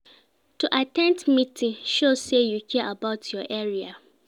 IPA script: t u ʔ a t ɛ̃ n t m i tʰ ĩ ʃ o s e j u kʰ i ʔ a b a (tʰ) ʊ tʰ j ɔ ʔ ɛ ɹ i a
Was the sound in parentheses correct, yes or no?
no